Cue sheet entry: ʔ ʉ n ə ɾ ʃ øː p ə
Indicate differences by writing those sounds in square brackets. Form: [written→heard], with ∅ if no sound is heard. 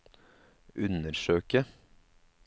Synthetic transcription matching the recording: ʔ ʉ n ə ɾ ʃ øː [p→k] ə

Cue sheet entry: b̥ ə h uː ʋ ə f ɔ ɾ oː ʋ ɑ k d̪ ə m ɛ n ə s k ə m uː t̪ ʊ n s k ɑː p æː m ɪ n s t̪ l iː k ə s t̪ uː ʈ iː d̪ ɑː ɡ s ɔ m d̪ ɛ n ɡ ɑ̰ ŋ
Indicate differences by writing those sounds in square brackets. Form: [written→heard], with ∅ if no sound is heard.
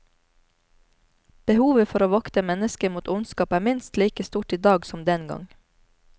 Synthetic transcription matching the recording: b̥ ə h uː ʋ ə f ɔ ɾ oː ʋ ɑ k [d̪→t̪] ə m ɛ n ə s k ə m uː t̪ ʊ n s k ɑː p æː m ɪ n s t̪ l iː k ə s t̪ uː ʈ iː d̪ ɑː ɡ s ɔ m d̪ ɛ n ɡ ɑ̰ ŋ

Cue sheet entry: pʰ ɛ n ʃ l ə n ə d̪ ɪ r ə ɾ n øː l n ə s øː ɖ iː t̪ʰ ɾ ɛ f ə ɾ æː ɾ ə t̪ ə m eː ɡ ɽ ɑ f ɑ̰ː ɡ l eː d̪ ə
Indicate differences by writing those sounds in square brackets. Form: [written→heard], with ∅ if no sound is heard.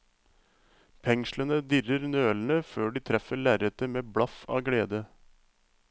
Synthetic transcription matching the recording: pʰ ɛ [n→ŋ] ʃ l ə n ə d̪ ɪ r ə ɾ n øː l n ə [s→f] øː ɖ iː t̪ʰ ɾ ɛ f ə [ɾ→ɭ] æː ɾ ə t̪ ə m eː [ɡ→b] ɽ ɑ f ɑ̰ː ɡ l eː d̪ ə

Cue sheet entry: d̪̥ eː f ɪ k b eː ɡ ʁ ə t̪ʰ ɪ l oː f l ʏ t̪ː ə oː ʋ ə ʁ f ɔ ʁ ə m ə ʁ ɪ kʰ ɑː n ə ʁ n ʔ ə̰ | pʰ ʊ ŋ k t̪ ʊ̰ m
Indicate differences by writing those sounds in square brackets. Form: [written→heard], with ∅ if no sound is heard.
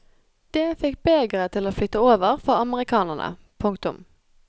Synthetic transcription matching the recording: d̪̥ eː f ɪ k b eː ɡ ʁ ə t̪ʰ ɪ l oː f l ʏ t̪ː ə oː ʋ ə ʁ f ɔ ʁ [ə→ɑ] m ə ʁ ɪ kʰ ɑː n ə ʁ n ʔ ə̰ | pʰ ʊ ŋ k t̪ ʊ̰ m

